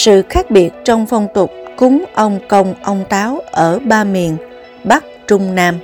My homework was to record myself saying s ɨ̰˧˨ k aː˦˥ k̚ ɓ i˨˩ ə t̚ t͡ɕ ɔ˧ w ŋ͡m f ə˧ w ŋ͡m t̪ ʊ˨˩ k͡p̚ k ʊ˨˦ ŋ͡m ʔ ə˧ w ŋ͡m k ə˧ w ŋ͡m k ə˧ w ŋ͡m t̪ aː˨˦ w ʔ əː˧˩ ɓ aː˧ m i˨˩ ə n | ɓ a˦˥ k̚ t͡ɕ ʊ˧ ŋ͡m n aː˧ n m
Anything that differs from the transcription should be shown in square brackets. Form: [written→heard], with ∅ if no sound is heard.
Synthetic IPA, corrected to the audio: s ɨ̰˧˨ [k→x] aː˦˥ k̚ ɓ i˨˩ ə t̚ t͡ɕ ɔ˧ w ŋ͡m f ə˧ w ŋ͡m t̪ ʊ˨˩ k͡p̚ k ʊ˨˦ ŋ͡m ʔ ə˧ w ŋ͡m k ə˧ w ŋ͡m [k→ʔ] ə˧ w ŋ͡m t̪ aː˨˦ w ʔ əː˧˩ ɓ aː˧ m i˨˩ ə n | ɓ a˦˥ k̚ t͡ɕ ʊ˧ ŋ͡m n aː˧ [n→∅] m